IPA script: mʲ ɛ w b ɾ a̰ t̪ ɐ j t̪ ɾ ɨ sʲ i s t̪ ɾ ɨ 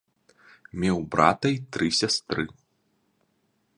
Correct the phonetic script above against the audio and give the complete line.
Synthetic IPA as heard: mʲ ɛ w b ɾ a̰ t̪ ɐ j t̪ ɾ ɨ sʲ a s t̪ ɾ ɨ